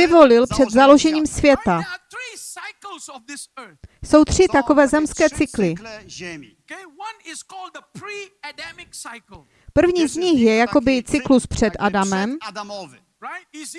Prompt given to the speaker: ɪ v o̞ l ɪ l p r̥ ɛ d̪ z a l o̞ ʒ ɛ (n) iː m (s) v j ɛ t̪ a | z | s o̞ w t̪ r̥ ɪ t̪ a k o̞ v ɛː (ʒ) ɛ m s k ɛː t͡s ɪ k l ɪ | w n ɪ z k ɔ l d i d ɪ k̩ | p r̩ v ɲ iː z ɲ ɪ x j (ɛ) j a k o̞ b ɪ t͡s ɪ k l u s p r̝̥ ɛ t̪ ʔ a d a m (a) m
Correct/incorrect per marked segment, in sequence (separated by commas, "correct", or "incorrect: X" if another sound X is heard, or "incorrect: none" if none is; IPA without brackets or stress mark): incorrect: ɲ, correct, incorrect: z, correct, incorrect: ɛ